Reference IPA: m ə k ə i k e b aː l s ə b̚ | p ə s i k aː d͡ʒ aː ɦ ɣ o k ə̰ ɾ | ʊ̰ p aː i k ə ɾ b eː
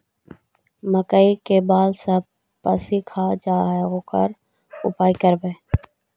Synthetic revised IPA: m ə k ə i k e b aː l s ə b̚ | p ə s i kʰ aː d͡ʒ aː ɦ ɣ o k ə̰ ɾ | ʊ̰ p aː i k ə ɾ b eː